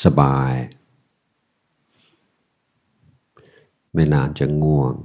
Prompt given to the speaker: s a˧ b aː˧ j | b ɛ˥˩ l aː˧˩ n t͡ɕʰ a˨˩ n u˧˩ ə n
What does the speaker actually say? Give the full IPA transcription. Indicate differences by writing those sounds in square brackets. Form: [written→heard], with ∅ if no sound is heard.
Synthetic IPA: s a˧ b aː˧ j | [b→m] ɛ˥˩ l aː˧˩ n [t͡ɕʰ→t͡ɕ] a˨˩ [n→ŋ] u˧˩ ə [n→ŋ]